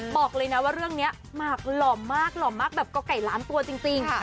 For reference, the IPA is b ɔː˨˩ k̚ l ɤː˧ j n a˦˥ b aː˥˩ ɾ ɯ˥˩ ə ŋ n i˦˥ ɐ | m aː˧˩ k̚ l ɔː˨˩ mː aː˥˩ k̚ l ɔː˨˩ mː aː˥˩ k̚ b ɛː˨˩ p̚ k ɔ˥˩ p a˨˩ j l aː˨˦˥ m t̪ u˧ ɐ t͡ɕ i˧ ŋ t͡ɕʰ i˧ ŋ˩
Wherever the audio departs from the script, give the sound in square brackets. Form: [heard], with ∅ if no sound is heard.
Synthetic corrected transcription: b ɔː˨˩ k̚ l ɤː˧ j n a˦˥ [w] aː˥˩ ɾ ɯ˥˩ ə ŋ n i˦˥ ɐ | m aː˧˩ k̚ l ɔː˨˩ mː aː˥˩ k̚ l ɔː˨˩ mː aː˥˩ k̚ b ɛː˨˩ p̚ k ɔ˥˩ [k] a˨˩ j l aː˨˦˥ m t̪ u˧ ɐ t͡ɕ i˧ ŋ [t͡ɕ] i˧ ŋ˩